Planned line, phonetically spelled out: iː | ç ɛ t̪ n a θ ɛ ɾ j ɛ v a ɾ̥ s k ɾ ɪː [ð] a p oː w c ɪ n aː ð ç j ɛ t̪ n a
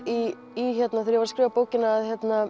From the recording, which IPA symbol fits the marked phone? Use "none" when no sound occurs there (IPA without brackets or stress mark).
v